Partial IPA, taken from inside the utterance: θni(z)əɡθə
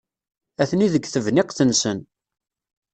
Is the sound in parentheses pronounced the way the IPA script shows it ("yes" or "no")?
no